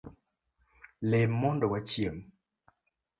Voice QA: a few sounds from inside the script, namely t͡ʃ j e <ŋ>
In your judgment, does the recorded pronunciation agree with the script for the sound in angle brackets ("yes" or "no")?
no